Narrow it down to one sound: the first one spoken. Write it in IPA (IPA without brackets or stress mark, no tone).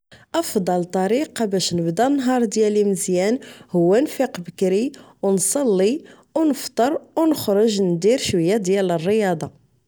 ʔ